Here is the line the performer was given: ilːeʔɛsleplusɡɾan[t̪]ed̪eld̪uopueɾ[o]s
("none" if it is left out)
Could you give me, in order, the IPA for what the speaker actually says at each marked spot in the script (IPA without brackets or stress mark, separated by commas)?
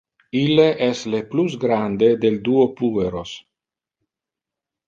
d̪, o